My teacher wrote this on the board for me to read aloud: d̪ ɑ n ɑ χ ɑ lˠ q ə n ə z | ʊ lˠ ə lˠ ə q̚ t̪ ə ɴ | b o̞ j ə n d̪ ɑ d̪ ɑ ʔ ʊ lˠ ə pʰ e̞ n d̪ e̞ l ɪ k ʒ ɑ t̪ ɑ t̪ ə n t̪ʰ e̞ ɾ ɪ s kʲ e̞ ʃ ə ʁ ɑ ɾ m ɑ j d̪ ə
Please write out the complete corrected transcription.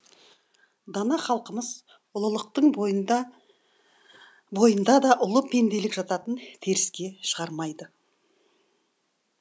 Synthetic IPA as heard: d̪ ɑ n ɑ χ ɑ lˠ q ə m ə z | ʊ lˠ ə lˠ ə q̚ t̪ ə ɴ | b o̞ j ə n d̪ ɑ d̪ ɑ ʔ ʊ lˠ ə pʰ e̞ n d̪ e̞ l ɪ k ʒ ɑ t̪ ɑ t̪ ə n t̪ʰ e̞ ɾ ɪ s kʲ e̞ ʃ ə ʁ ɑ ɾ m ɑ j d̪ ə